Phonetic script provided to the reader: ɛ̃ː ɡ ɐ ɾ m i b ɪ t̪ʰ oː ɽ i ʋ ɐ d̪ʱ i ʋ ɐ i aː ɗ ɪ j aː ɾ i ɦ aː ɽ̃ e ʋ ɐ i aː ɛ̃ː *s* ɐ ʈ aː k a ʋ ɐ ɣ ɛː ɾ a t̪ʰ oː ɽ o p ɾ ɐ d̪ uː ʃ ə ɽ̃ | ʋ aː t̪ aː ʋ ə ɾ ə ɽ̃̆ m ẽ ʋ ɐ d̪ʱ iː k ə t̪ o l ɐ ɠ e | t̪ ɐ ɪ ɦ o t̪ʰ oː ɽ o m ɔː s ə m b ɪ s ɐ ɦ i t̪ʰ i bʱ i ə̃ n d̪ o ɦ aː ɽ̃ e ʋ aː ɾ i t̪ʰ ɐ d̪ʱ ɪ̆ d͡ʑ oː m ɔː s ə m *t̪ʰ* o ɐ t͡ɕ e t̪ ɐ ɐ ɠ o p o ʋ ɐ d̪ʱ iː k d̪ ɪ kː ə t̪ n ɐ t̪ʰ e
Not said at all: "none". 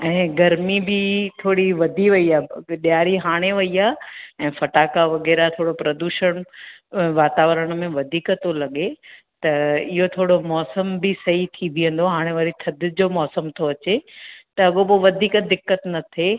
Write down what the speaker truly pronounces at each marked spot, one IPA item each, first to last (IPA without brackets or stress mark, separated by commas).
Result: f, t̪ʰ